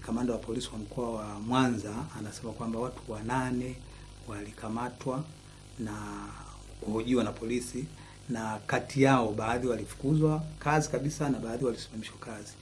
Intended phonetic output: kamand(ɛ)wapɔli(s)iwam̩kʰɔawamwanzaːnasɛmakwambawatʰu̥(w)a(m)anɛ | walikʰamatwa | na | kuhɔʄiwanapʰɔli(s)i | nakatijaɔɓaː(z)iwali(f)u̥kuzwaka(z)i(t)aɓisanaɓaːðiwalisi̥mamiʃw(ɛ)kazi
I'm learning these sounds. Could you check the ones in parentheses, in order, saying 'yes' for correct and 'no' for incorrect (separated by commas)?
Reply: no, yes, yes, no, yes, no, yes, yes, no, no